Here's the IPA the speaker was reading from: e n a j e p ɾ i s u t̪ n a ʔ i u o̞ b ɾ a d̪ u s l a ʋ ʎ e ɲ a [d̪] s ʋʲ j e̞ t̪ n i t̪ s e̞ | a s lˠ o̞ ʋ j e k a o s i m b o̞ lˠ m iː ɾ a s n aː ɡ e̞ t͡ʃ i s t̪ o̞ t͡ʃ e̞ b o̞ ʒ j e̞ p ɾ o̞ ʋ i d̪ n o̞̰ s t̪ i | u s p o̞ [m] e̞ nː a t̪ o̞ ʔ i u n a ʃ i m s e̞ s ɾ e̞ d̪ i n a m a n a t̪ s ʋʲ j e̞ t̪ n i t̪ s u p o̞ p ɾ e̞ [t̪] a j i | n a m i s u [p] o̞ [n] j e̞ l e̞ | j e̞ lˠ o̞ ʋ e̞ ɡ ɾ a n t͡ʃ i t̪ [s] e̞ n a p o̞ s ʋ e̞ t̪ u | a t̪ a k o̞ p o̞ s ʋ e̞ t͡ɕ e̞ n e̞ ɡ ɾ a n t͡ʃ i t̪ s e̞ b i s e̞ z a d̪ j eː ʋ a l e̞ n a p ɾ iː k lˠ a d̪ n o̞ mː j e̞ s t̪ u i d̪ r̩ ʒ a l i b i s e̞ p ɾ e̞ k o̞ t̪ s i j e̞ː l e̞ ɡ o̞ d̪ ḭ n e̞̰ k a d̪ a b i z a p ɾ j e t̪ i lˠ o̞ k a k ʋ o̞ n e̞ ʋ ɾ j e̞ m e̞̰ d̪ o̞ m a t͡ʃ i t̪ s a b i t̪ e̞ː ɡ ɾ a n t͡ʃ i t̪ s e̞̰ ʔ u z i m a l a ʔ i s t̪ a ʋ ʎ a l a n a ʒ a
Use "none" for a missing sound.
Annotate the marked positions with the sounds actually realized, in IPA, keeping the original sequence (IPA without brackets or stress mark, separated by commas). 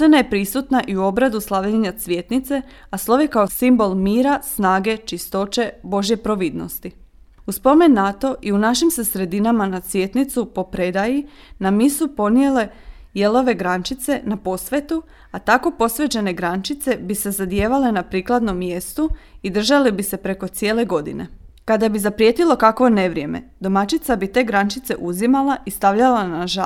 t̪, m, d̪, p, n, s